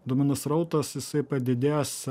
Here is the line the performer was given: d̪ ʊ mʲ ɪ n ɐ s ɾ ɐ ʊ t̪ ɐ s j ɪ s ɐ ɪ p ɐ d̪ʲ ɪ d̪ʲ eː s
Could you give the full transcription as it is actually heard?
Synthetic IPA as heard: d̪ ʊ mʲ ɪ n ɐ s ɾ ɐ ʊ t̪ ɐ s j ɪ s ɐ ɪ p ɐ d̪ʲ ɪ d̪ʲ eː s